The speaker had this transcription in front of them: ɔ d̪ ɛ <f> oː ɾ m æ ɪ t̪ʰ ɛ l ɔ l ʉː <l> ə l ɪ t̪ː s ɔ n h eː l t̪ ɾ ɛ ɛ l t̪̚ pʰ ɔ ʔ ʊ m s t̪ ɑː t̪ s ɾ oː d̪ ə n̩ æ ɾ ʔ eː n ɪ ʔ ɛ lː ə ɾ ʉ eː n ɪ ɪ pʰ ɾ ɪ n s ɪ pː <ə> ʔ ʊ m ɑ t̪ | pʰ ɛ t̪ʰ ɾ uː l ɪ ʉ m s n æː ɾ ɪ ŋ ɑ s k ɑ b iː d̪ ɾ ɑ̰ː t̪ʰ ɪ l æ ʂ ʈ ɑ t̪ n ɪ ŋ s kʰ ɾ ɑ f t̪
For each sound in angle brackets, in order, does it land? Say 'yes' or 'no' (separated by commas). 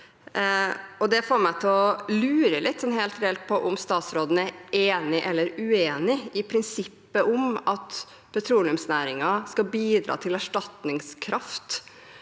yes, no, yes